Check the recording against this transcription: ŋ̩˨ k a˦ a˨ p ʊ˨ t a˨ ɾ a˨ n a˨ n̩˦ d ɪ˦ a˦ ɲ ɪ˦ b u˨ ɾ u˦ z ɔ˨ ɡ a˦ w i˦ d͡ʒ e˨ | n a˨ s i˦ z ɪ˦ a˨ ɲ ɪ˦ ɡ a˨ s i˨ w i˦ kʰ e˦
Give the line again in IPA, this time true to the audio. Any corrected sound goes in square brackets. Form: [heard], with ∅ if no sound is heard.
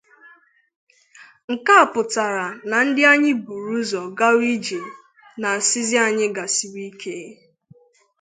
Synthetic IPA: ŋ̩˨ k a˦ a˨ p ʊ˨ t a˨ ɾ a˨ n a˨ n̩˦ d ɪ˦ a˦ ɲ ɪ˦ b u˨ ɾ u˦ z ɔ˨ ɡ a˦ w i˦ d͡ʒ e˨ | n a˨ s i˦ z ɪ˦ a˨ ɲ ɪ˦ ɡ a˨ s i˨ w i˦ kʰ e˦

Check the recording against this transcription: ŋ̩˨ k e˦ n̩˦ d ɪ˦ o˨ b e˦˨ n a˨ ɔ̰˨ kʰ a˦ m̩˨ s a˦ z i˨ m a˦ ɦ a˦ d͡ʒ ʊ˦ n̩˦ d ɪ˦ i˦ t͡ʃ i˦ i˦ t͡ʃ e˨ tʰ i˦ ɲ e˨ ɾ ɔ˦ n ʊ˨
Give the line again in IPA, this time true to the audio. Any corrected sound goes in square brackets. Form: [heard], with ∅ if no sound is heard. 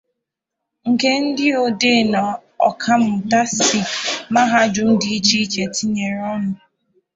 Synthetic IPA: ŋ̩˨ k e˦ n̩˦ d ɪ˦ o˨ [d] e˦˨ n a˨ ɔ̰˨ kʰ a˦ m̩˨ [t] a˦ [s] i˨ m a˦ ɦ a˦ d͡ʒ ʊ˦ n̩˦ d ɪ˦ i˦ t͡ʃ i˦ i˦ t͡ʃ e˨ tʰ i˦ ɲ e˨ ɾ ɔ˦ n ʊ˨

